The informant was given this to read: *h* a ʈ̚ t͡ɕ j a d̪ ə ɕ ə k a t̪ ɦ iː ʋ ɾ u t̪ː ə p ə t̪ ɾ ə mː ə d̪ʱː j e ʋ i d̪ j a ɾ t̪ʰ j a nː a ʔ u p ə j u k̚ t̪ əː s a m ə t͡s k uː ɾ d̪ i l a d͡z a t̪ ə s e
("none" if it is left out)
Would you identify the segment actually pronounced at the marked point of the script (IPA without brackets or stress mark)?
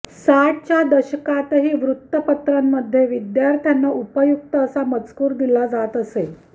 s